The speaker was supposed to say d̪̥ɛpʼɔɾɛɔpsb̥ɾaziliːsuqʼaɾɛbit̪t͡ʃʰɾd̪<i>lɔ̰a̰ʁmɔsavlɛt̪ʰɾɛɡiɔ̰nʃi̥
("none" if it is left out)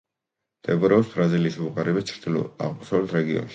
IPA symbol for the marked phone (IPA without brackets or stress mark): i